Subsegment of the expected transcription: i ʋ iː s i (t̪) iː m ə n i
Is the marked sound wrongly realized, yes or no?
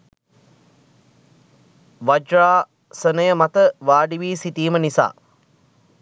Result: no